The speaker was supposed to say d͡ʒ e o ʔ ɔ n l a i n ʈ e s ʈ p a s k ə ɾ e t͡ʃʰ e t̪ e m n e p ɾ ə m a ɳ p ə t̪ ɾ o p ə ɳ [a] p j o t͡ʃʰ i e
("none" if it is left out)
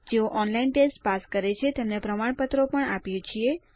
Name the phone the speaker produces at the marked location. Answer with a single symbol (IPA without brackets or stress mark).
a